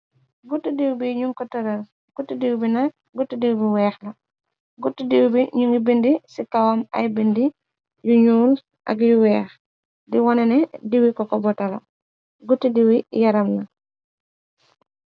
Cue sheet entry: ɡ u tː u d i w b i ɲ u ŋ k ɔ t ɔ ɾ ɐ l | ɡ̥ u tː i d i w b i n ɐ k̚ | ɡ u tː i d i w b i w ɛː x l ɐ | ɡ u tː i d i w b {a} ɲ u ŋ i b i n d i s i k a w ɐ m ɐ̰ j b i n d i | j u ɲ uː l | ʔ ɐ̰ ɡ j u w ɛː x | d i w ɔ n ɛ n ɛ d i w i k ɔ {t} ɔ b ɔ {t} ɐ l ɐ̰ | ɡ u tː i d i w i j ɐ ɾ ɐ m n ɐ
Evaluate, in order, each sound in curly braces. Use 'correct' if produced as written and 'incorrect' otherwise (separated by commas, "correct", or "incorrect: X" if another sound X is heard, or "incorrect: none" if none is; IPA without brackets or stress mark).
incorrect: i, incorrect: k, correct